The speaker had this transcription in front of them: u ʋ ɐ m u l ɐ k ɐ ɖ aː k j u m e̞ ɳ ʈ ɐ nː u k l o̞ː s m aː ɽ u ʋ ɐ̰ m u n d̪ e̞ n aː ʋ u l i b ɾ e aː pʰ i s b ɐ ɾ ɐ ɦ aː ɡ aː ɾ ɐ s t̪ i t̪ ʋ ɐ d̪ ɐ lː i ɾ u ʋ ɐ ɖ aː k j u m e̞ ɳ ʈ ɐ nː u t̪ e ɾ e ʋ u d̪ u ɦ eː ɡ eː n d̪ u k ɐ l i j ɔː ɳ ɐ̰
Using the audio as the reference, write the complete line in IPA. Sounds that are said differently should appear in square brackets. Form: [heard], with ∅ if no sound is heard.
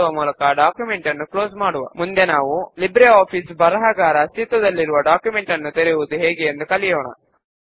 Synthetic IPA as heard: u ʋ ɐ m [uː] l ɐ k ɐ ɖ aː k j u m e̞ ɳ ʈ ɐ nː u k l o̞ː s m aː ɽ u ʋ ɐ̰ m u n d̪ e̞ n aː ʋ u l i b ɾ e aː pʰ i s b ɐ ɾ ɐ ɦ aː ɡ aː ɾ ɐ s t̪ i t̪ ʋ ɐ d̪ ɐ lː i ɾ u ʋ ɐ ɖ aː k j u m e̞ ɳ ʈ ɐ nː u t̪ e ɾ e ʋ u d̪ u ɦ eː ɡ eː n d̪ u k ɐ l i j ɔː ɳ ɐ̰